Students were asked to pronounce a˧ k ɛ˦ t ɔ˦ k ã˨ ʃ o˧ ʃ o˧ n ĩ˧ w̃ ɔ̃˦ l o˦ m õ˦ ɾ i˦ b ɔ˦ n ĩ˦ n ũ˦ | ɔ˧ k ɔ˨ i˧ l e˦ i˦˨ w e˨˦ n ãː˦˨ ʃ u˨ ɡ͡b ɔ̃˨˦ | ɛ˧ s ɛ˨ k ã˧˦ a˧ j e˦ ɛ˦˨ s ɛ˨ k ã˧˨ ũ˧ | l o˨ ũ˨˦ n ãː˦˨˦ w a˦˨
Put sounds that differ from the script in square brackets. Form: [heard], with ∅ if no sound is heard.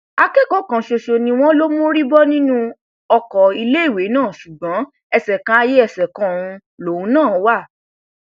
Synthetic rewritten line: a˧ k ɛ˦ [k] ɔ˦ k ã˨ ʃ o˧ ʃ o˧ n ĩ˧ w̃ ɔ̃˦ l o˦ m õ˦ ɾ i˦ b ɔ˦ n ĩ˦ n ũ˦ | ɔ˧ k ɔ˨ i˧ l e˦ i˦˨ w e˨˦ n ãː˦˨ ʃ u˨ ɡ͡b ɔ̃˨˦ | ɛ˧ s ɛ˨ k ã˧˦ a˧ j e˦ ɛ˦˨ s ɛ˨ k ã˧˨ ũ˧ | l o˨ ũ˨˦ n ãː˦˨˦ w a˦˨